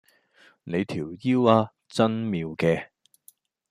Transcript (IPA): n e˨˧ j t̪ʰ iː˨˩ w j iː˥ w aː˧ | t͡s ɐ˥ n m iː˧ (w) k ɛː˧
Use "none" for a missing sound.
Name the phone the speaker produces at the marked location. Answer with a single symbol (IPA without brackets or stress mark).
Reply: w